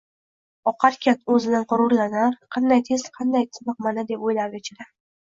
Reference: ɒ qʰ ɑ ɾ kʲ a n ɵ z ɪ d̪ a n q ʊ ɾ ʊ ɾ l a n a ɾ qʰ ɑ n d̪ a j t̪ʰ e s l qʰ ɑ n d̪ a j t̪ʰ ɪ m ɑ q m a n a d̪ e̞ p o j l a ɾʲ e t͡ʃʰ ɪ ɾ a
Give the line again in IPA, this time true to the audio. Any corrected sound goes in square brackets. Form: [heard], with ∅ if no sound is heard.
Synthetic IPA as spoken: ɒ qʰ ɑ ɾ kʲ a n ɵ z ɪ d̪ a n q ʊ ɾ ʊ ɾ l a n a ɾ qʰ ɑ n d̪ a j t̪ʰ e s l qʰ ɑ n d̪ a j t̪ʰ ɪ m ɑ q m a n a d̪ e̞ p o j l a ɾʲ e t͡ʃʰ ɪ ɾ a